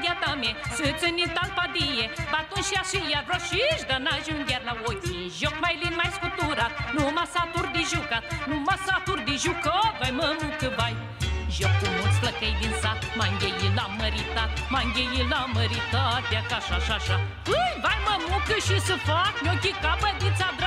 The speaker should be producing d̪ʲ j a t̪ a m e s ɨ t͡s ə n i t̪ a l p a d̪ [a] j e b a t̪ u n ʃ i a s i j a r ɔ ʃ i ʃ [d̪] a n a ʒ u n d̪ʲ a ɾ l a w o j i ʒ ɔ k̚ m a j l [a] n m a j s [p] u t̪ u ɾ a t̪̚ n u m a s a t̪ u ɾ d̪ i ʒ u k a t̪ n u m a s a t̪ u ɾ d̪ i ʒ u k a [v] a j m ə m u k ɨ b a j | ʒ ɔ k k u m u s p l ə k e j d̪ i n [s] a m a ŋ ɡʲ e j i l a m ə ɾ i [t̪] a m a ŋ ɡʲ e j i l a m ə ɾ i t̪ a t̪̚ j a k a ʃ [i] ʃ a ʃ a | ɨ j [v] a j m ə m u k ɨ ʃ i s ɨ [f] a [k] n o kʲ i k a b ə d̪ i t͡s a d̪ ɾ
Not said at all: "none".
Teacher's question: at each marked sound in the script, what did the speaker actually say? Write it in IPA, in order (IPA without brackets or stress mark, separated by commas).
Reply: i, d̪, i, k, v, s, t̪, a, v, f, k